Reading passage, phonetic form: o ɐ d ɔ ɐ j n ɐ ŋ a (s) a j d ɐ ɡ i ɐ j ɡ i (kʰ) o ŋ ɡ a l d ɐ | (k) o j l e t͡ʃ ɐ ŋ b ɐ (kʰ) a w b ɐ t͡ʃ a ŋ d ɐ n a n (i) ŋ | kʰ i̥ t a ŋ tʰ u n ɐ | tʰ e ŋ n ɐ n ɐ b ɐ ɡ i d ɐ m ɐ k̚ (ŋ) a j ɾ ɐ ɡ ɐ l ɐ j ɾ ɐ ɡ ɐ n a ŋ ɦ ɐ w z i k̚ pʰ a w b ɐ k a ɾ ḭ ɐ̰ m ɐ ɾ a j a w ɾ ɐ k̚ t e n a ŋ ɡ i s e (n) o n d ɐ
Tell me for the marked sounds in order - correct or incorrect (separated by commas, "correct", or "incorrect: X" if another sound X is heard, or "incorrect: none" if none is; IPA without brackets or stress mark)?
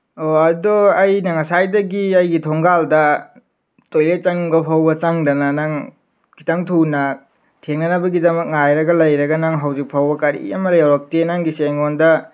correct, incorrect: tʰ, incorrect: t, incorrect: pʰ, incorrect: a, correct, incorrect: ŋ